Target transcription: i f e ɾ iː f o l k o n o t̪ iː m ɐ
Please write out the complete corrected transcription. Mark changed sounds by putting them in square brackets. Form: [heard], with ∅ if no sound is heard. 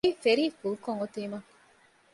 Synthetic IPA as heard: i f e ɾ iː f [u] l k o [ŋ] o t̪ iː m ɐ